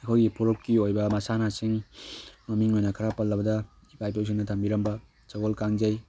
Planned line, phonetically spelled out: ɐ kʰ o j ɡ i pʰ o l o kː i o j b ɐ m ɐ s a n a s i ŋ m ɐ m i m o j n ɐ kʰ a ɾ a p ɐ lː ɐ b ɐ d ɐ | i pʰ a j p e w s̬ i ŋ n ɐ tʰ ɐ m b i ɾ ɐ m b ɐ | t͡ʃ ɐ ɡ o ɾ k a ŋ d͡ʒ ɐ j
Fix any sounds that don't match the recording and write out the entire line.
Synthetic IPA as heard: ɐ kʰ o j ɡ i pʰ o ɾ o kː i o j b ɐ m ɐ s a n a s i ŋ m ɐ m i ŋ o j n ɐ kʰ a ɾ a p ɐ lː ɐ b ɐ d ɐ | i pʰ a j p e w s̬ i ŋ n ɐ tʰ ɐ m b i ɾ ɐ m b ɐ | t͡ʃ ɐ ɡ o l k a ŋ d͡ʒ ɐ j